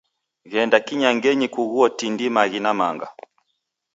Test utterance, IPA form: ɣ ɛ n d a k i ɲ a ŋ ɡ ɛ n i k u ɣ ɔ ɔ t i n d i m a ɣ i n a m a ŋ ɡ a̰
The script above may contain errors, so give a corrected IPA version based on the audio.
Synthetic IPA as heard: ɣ ɛ n d a k i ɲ a ŋ ɡ ɛ ɲ i k u ɣ u ɔ t i n d i m a ɣ i n a m a ŋ ɡ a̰